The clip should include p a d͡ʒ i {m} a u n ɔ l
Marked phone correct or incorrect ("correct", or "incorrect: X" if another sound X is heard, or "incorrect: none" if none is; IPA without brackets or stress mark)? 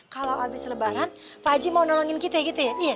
correct